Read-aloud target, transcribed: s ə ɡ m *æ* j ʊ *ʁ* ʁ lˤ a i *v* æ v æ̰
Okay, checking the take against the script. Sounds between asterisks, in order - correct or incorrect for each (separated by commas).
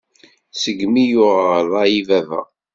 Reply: incorrect, correct, correct